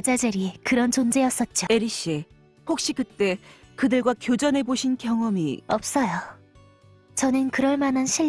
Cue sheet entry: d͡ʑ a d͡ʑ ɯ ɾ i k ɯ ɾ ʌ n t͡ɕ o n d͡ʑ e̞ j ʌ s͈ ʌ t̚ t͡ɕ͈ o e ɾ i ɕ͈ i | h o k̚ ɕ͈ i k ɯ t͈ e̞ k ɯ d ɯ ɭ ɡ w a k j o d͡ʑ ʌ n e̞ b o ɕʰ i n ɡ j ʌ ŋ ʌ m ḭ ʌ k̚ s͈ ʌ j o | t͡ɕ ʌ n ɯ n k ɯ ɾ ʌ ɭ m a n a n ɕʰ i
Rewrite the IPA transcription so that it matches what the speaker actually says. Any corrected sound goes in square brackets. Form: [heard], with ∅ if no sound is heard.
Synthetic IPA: d͡ʑ a d͡ʑ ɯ ɾ i k ɯ ɾ ʌ n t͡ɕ o n d͡ʑ e̞ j ʌ s͈ ʌ t̚ t͡ɕ͈ o e ɾ i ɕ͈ i | h o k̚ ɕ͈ i k ɯ t͈ e̞ k ɯ d ɯ ɭ ɡ w a k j o d͡ʑ ʌ n e̞ b o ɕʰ i n [k] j ʌ ŋ ʌ m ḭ ʌ [p̚] s͈ ʌ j o | t͡ɕ ʌ n ɯ n k ɯ ɾ ʌ ɭ m a n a n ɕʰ i

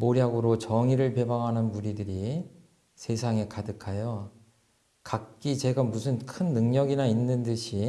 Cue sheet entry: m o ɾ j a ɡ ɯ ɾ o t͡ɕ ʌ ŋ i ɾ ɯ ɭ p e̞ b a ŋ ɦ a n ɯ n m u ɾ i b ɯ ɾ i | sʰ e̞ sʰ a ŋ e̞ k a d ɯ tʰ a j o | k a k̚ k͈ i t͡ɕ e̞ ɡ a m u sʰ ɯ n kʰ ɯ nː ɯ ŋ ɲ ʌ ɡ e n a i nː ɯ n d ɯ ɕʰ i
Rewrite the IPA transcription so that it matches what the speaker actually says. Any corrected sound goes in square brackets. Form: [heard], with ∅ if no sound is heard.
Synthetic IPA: m o ɾ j a ɡ ɯ ɾ o t͡ɕ ʌ ŋ i ɾ ɯ ɭ p e̞ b a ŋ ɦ a n ɯ n m u ɾ i [d] ɯ ɾ i | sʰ e̞ sʰ a ŋ e̞ k a d ɯ [kʰ] a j o | k a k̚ k͈ i t͡ɕ e̞ ɡ a m u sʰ ɯ n kʰ ɯ nː ɯ ŋ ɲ ʌ ɡ [i] n a i nː ɯ n d ɯ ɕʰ i

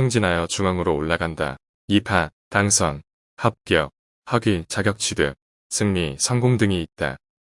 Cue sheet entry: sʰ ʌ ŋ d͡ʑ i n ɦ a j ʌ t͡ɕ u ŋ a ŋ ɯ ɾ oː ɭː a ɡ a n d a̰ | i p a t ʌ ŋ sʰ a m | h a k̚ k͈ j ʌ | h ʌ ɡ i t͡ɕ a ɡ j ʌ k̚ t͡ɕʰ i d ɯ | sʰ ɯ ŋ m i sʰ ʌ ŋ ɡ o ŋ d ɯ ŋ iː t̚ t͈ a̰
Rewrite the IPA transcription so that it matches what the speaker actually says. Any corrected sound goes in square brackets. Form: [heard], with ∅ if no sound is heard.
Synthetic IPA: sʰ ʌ ŋ d͡ʑ i n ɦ a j ʌ t͡ɕ u ŋ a ŋ ɯ ɾ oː ɭː a ɡ a n d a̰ | i [pʰ] a t [a] ŋ sʰ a [ŋ] | h a [p̚] k͈ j ʌ | h ʌ ɡ i t͡ɕ a ɡ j ʌ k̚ t͡ɕʰ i d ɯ | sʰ ɯ ŋ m i sʰ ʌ ŋ ɡ o ŋ d ɯ ŋ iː t̚ t͈ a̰

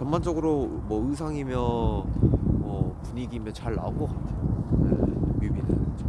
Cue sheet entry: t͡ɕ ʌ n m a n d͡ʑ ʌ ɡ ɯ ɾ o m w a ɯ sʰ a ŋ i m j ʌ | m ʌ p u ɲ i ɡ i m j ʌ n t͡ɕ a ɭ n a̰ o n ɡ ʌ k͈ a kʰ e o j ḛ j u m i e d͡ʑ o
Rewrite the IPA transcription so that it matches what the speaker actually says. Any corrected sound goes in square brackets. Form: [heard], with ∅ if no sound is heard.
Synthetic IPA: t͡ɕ ʌ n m a n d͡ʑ ʌ ɡ ɯ ɾ o m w [ʌ] ɯ sʰ a ŋ i m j ʌ | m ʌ p u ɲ i ɡ i m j ʌ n t͡ɕ a ɭ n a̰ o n ɡ ʌ k͈ a [tʰ] e o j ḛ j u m i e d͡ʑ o

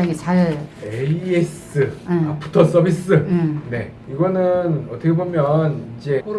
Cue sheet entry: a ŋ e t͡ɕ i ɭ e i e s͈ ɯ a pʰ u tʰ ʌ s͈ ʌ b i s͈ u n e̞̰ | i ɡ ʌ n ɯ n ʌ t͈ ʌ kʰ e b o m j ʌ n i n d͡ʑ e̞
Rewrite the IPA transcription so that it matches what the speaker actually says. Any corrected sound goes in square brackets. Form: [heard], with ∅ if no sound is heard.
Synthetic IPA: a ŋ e t͡ɕ [a] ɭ e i e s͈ ɯ a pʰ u tʰ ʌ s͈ ʌ b i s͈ [ɯ] n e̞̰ | i ɡ ʌ n ɯ n ʌ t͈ ʌ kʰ e b o m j ʌ n i n d͡ʑ e̞

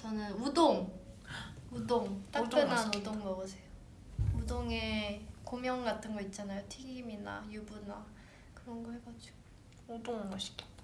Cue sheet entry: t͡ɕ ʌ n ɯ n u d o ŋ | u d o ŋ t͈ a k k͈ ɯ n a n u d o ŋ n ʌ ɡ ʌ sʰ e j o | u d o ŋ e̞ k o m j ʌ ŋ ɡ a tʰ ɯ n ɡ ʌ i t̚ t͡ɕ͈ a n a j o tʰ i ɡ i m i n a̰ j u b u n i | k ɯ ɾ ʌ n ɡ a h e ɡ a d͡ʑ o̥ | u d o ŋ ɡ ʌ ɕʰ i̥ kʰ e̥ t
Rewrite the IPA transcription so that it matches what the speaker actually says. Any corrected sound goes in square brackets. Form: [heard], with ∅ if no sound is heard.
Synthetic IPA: t͡ɕ ʌ n ɯ n u d o ŋ | u d o ŋ t͈ a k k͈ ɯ n a n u d o ŋ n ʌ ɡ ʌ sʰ e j o | u d o ŋ e̞ k o m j ʌ ŋ ɡ a tʰ ɯ n ɡ ʌ i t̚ t͡ɕ͈ a n a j o tʰ i ɡ i m i n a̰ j u b u n [a] | k ɯ ɾ ʌ n ɡ [ʌ] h e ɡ a d͡ʑ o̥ | u d o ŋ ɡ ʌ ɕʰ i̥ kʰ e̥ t

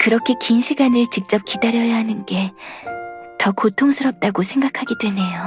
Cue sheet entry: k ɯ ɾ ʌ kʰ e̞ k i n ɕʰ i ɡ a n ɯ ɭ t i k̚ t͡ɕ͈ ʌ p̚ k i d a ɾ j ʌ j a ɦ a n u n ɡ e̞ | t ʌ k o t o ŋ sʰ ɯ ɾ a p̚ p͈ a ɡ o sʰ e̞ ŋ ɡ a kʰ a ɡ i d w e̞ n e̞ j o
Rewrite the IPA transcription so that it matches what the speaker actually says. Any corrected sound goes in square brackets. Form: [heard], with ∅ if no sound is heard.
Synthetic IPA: k ɯ ɾ ʌ kʰ e̞ k i n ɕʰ i ɡ a n ɯ ɭ [t͡ɕ] i k̚ t͡ɕ͈ ʌ p̚ k i d a ɾ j ʌ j a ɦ a n [ɯ] n ɡ e̞ | t ʌ k o [tʰ] o ŋ sʰ ɯ ɾ [ʌ] p̚ [t͈] a ɡ o sʰ e̞ ŋ ɡ a kʰ a ɡ i d w e̞ n e̞ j o

